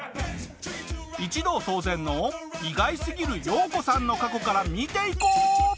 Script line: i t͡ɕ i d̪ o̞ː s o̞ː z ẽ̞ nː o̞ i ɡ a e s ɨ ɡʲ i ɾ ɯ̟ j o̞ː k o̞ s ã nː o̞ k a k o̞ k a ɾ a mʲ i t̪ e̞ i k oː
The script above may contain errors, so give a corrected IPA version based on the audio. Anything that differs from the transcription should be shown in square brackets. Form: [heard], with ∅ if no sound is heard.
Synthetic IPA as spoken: i t͡ɕ i d̪ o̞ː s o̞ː z ẽ̞ nː o̞ i ɡ a [i] s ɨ ɡʲ i ɾ ɯ̟ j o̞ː k o̞ s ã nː o̞ k a k o̞ k a ɾ a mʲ i t̪ e̞ i k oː